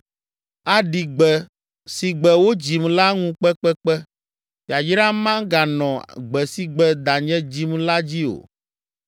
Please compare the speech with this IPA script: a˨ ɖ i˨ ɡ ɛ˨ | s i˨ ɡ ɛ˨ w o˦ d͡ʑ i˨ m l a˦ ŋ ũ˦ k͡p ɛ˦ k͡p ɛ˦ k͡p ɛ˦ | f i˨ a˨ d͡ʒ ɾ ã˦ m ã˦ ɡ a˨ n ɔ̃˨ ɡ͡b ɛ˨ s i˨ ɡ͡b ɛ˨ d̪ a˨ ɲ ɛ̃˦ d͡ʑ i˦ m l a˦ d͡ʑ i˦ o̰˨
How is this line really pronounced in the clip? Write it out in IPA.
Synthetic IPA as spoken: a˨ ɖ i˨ ɡ͡b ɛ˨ | s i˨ ɡ͡b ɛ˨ w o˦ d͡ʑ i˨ m l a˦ ŋ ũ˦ k͡p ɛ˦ k͡p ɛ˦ k͡p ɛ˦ | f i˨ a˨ d͡ʒ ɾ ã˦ m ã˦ ɡ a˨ n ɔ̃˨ ɡ͡b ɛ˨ s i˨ ɡ͡b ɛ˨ d̪ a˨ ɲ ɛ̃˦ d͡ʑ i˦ m l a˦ d͡ʑ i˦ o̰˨